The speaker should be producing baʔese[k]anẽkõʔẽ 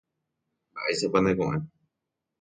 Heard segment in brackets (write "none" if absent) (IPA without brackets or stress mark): p